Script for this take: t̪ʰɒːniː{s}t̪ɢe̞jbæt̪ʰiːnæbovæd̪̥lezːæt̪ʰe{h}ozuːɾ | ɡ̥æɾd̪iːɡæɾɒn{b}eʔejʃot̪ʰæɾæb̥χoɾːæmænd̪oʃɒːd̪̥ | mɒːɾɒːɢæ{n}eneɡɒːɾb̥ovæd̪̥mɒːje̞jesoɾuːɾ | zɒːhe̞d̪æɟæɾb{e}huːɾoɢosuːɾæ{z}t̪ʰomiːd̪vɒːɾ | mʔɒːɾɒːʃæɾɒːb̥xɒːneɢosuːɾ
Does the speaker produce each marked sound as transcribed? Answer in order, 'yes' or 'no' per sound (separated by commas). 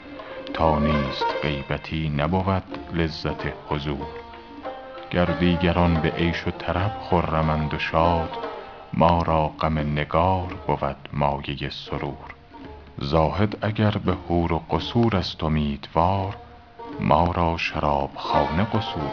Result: yes, yes, yes, no, yes, no